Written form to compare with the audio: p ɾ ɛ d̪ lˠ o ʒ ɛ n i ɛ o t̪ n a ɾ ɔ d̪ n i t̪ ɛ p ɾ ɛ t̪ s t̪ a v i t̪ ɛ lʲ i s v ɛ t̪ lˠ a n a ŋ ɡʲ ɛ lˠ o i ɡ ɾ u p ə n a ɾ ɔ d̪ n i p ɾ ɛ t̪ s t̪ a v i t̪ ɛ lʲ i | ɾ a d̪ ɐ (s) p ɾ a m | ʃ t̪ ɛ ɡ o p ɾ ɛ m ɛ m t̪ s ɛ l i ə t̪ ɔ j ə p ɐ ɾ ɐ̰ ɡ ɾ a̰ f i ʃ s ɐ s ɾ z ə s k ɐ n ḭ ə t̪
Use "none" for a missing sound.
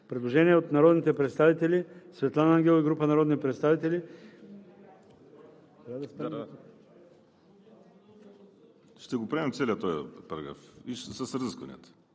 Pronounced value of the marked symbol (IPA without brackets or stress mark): s